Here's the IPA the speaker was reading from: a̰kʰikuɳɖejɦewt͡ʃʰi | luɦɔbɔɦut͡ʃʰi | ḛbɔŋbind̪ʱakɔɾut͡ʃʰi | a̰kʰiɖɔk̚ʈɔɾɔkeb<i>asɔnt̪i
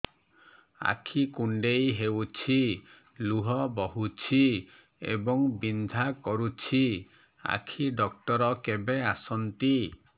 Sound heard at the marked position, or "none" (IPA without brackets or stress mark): e